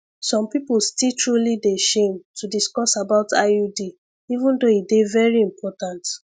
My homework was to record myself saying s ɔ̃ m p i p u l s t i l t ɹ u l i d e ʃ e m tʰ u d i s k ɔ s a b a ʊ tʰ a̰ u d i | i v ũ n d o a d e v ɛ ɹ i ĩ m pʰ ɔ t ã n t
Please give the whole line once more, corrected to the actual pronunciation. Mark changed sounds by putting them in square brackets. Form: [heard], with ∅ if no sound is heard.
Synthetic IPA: s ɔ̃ m p i p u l s t i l t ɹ u l i d e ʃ e m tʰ u d i s k ɔ s a b a ʊ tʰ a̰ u d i | i v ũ n d o [i] d e v ɛ ɹ i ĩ m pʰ ɔ t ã n t

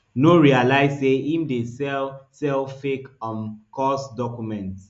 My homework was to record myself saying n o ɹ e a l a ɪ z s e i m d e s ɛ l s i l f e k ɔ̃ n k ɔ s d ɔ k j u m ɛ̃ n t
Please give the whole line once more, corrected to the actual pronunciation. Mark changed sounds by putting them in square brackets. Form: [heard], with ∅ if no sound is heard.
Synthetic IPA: n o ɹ [i] a l a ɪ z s e i m d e s ɛ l s [ɛ] l f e k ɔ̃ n k ɔ s d ɔ k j u m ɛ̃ n t

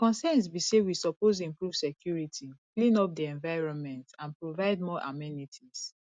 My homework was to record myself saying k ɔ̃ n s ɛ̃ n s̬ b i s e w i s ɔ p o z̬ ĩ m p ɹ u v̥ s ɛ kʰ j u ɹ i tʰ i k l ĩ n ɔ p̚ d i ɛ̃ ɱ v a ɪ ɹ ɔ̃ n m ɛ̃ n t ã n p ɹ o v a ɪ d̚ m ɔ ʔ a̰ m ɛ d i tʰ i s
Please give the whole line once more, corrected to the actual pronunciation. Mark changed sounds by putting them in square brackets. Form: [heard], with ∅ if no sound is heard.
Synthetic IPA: k ɔ̃ n s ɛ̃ n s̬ b i s e w i s ɔ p o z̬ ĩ m p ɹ u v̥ s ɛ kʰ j u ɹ i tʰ i k l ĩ n ɔ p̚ d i ɛ̃ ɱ v a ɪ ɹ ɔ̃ n m ɛ̃ n t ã n p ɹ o v a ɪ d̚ m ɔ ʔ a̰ m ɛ [n] i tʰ i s

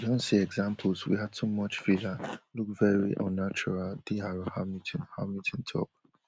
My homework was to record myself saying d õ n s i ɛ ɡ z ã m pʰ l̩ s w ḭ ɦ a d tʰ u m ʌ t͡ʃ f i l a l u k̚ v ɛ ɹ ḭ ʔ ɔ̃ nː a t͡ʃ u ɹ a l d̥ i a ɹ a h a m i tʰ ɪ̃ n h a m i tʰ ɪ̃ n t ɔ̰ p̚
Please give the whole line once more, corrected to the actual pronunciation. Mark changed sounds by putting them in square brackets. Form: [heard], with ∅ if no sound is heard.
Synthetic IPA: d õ n s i ɛ ɡ z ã m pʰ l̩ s w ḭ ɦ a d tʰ u m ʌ t͡ʃ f i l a l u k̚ v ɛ ɹ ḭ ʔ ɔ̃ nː a t͡ʃ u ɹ a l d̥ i a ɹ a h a m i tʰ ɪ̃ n h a m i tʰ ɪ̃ n [tʰ] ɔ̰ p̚

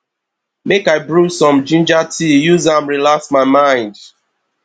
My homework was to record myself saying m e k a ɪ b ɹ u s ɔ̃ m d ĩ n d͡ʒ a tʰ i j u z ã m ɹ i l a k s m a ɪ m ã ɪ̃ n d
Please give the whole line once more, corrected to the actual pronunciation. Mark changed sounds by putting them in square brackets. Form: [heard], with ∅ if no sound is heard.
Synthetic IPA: m e k a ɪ b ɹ u s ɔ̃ m [d͡ʒ] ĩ n d͡ʒ a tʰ i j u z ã m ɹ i l a k s m a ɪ m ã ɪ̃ n d

